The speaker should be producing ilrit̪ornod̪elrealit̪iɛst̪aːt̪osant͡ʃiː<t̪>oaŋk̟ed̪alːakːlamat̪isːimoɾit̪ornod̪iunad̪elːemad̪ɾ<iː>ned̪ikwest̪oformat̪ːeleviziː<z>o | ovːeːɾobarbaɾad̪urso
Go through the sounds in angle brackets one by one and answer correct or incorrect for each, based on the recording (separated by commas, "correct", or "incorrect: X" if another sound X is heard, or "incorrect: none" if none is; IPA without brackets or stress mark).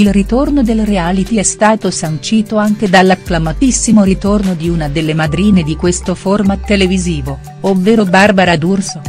correct, correct, incorrect: v